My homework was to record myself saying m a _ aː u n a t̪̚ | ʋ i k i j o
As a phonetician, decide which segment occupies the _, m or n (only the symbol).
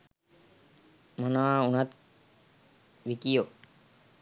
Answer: n